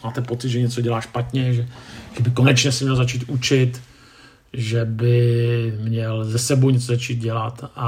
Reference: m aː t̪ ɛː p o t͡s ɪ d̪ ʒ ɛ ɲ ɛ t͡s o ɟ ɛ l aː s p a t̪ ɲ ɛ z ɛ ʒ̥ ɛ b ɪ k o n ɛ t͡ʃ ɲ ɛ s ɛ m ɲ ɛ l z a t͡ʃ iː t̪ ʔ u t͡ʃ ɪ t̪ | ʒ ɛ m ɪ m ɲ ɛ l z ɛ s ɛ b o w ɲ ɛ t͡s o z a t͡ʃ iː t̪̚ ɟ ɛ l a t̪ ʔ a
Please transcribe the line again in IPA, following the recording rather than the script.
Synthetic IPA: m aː t̪ ɛ p o t͡s ɪ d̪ ʒ ɛ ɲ ɛ t͡s o ɟ ɛ l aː ʃ p a t̪ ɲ ɛ ʒ ɛ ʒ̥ ɛ b ɪ k o n ɛ t͡ʃ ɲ ɛ s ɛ m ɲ ɛ l z a t͡ʃ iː t̪ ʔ u t͡ʃ ɪ t̪ | ʒ ɛ b ɪ m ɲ ɛ l z ɛ s ɛ b o w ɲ ɛ t͡s o z a t͡ʃ iː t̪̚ ɟ ɛ l a t̪ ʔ a